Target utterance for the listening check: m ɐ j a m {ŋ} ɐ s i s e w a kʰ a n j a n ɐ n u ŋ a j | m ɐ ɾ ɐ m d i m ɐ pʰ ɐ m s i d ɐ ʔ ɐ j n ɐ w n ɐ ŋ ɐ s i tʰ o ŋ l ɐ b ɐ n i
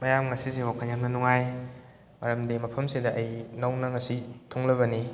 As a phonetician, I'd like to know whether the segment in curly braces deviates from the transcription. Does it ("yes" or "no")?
no